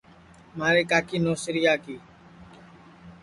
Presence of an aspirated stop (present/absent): absent